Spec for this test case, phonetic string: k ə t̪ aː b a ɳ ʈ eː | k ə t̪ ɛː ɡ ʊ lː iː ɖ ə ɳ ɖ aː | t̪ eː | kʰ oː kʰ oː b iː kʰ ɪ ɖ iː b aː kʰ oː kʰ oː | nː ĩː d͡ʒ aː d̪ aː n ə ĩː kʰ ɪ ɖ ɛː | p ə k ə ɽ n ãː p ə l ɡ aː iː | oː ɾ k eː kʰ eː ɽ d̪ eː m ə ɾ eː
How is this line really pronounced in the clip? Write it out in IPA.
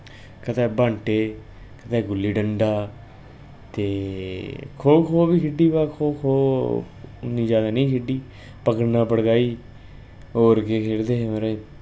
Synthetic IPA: k ə t̪ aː b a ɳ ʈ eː | k ə t̪ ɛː ɡ ʊ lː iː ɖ ə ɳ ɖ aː | t̪ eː | kʰ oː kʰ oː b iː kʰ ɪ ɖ iː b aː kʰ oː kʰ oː | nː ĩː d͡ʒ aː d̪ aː n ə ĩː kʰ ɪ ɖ iː | p ə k ə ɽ n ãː p ə ɽ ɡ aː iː | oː ɾ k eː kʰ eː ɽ d̪ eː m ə ɾ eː